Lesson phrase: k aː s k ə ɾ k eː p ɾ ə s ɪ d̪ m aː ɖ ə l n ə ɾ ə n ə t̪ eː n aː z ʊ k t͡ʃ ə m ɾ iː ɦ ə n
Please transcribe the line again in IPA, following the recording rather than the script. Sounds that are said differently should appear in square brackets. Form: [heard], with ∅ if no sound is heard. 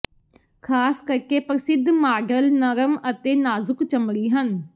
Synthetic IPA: [kʰ] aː s k ə ɾ k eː p ɾ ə s ɪ d̪ m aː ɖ ə l n ə ɾ ə [m] ə t̪ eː n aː z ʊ k t͡ʃ ə m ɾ iː ɦ ə n